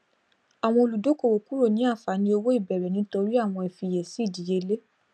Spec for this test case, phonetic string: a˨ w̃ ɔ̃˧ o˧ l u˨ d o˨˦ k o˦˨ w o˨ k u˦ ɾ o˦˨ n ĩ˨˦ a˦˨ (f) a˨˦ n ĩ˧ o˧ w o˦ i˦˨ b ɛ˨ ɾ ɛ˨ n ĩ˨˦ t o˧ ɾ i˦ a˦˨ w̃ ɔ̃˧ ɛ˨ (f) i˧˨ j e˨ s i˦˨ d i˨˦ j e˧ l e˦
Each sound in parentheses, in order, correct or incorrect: correct, correct

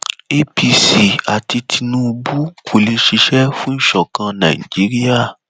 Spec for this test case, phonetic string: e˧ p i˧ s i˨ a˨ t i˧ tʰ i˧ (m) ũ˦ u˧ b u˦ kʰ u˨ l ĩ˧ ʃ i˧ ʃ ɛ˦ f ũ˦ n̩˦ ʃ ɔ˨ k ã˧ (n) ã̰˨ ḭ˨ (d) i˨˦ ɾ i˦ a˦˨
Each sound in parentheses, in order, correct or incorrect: incorrect: n, correct, incorrect: d͡ʒ

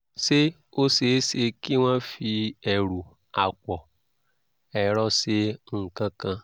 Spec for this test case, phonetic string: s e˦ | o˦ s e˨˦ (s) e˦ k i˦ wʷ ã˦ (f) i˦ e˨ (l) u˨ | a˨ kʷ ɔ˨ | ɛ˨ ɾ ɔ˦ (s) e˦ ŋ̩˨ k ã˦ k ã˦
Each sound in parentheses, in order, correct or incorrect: correct, correct, incorrect: ɾ, correct

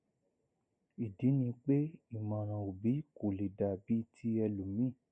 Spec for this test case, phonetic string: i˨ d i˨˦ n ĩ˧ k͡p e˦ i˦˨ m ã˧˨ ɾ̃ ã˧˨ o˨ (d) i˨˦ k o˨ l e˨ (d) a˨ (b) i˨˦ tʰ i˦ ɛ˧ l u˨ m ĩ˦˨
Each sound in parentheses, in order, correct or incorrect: incorrect: b, correct, correct

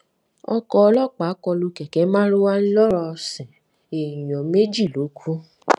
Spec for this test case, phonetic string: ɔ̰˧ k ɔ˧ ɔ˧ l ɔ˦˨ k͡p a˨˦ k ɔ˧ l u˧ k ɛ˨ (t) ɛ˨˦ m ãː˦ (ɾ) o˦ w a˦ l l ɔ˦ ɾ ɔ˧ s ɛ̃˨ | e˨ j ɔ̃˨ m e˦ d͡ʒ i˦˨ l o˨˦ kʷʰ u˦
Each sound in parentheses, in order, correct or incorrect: incorrect: k, correct

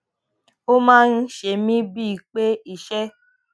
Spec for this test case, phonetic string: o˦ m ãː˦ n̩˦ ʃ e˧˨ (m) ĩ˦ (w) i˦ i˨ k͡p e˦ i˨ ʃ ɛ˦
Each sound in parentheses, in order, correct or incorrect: correct, incorrect: b

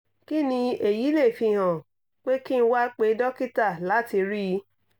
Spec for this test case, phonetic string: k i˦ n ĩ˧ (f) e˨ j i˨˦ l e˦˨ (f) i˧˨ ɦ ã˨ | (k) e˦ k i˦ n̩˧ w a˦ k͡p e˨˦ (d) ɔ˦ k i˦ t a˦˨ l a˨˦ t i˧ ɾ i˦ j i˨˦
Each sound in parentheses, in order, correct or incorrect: incorrect: none, correct, incorrect: k͡p, correct

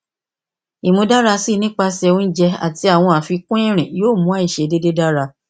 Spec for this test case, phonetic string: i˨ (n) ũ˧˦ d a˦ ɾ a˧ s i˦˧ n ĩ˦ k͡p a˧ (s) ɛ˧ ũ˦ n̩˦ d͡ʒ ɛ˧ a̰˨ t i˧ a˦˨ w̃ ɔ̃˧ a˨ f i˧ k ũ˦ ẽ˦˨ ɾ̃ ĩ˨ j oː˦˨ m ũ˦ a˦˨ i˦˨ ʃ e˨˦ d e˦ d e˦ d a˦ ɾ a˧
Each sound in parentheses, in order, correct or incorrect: incorrect: m, correct

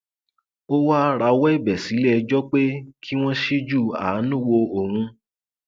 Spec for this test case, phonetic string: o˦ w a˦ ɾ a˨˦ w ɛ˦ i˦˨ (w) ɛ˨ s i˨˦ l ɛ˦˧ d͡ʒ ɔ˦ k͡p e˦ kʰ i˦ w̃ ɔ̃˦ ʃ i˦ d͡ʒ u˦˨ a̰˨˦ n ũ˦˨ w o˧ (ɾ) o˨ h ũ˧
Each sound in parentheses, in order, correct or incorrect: incorrect: b, incorrect: none

